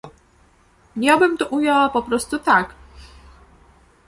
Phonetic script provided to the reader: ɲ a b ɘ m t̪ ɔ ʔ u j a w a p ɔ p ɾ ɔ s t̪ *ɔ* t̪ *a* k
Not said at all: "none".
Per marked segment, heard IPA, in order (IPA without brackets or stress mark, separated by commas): u, a